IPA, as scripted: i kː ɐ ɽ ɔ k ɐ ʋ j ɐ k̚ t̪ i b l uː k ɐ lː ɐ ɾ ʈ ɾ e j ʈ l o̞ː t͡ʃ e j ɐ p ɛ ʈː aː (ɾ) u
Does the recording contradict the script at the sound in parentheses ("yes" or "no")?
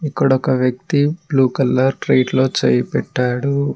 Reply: yes